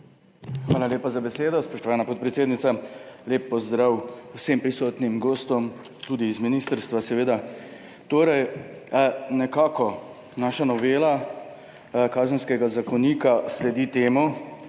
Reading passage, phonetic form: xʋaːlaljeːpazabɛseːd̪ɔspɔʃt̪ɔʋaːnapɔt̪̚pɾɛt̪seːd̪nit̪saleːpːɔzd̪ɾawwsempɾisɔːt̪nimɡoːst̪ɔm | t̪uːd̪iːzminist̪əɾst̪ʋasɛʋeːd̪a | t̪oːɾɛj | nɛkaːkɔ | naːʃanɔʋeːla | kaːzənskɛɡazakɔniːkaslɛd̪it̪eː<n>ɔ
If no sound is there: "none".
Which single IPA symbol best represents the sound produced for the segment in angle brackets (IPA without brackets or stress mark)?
m